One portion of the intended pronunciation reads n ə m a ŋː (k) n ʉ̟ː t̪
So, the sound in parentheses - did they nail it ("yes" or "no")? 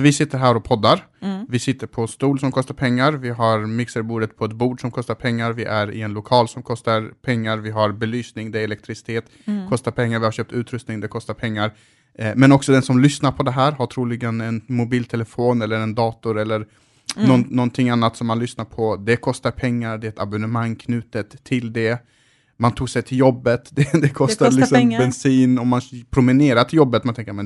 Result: no